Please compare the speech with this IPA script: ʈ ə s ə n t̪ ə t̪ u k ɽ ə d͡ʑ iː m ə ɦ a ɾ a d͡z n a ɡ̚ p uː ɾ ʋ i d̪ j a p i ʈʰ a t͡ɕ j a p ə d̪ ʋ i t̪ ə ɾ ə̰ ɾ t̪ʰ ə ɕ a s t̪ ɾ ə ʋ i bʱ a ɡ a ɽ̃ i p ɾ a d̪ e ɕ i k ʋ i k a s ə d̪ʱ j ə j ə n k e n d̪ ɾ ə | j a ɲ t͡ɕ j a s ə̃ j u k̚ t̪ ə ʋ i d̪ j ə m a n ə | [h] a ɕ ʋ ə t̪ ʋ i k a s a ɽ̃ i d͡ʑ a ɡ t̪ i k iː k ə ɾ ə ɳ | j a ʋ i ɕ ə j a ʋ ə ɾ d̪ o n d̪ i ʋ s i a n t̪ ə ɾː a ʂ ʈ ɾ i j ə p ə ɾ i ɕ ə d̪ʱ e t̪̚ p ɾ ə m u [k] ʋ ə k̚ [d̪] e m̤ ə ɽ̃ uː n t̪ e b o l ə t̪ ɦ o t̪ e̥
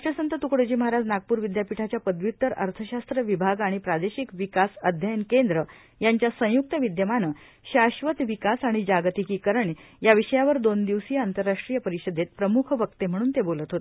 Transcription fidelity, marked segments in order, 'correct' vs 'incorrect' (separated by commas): incorrect, incorrect, incorrect